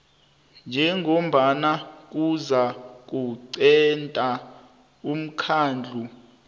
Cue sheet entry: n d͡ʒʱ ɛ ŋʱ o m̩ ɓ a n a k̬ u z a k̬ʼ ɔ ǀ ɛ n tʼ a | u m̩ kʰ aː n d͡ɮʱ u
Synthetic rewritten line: n d͡ʒʱ ɛ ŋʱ o m̩ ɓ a n a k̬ u z a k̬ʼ u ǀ ɛ n tʼ a | u m̩ kʰ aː n d͡ɮʱ u